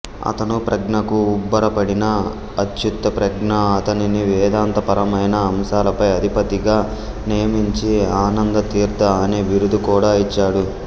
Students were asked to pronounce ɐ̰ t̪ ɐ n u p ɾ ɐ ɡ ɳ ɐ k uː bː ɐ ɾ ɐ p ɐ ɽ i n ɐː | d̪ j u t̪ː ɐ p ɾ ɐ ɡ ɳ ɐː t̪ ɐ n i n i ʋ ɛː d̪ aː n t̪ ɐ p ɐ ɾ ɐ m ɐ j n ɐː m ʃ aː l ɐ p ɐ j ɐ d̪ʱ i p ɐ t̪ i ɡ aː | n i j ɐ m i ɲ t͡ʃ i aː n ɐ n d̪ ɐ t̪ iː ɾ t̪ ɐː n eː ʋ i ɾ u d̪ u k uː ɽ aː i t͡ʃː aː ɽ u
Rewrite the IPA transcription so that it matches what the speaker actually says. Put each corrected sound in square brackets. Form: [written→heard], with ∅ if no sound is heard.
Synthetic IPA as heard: ɐ̰ t̪ ɐ n u p ɾ ɐ ɡ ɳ ɐ k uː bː ɐ ɾ ɐ p ɐ ɽ i n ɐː | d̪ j u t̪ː ɐ p ɾ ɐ ɡ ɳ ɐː t̪ ɐ n i n i ʋ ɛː d̪ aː n t̪ ɐ p ɐ ɾ ɐ m ɐ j n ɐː m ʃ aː l ɐ p ɐ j ɐ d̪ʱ i p ɐ t̪ i ɡ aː | n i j ɐ m i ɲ t͡ʃ i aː n ɐ n d̪ ɐ t̪ iː ɾ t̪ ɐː n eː ʋ i ɾ u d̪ u k uː ɽ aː i t͡ʃː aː ɽ u